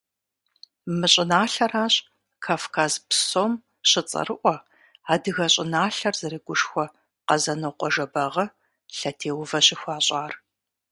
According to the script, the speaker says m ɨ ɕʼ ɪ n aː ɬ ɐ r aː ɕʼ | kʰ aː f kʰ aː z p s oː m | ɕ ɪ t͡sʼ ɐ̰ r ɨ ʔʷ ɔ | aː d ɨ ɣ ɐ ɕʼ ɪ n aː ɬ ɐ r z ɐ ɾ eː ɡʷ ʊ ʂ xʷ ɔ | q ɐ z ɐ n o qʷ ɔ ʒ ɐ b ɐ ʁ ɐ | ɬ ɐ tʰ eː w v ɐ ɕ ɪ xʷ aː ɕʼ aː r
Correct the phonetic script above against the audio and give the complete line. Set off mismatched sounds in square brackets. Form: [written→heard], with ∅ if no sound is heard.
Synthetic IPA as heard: m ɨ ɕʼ ɪ n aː ɬ ɐ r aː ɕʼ | kʰ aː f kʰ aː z p s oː m | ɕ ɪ t͡sʼ ɐ̰ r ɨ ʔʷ ɔ | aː d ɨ ɣ ɐ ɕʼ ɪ n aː ɬ ɐ r z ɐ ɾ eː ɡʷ ʊ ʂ xʷ ɔ | q ɐ z ɐ n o qʷ ɔ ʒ ɐ b ɐ ʁ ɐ | ɬ ɐ tʰ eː w v ɐ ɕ ɪ xʷ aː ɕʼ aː r